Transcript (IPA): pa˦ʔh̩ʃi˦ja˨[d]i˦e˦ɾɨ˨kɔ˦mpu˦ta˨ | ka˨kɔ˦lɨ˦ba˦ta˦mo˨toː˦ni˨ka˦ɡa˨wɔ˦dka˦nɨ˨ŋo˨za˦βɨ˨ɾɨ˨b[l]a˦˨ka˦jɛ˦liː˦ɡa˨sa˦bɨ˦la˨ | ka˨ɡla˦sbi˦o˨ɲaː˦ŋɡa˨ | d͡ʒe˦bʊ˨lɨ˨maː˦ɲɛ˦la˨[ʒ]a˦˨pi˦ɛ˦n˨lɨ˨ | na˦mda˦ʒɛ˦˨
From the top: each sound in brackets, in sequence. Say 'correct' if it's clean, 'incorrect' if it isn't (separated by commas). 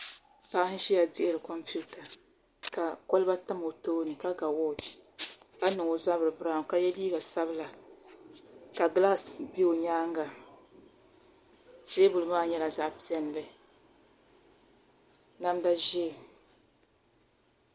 correct, incorrect, incorrect